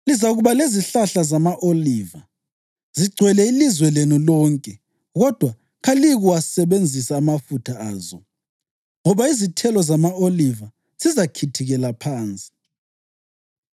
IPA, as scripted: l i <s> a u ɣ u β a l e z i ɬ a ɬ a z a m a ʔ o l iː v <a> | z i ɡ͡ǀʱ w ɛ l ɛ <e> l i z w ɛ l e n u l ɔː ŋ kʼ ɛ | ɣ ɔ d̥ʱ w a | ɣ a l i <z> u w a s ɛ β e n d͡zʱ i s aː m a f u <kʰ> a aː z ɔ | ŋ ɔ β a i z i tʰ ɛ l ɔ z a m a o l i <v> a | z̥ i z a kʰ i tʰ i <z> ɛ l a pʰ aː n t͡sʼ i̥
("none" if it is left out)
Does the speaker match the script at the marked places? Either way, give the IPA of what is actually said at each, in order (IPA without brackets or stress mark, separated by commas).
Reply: z, a, i, ɣ, tʰ, v, ɣ